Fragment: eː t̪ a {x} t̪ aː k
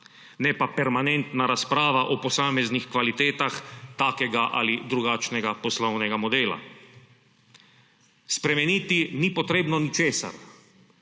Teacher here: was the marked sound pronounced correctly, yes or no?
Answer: yes